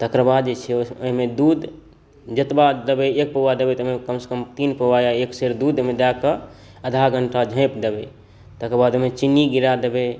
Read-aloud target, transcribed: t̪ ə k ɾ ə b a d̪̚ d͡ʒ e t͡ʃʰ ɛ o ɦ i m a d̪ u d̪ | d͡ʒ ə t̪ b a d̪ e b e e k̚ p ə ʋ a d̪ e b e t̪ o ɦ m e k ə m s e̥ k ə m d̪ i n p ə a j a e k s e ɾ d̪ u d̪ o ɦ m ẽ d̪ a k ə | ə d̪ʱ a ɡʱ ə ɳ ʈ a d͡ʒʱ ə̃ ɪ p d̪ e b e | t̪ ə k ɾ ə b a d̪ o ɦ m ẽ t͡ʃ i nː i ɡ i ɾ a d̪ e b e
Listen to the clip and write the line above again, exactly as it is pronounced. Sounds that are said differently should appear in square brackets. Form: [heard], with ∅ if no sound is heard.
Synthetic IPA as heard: t̪ ə k ɾ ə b a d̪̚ d͡ʒ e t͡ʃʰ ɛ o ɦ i m [e] d̪ u d̪ | d͡ʒ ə t̪ b a d̪ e b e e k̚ p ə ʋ a d̪ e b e t̪ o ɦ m e k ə m s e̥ k ə m [t̪] i n p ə a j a e k s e ɾ d̪ u d̪ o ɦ m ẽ d̪ a k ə | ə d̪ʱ a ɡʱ ə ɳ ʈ a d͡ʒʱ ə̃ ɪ p d̪ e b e | t̪ ə k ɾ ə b a d̪ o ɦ m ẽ t͡ʃ i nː i ɡ i ɾ a d̪ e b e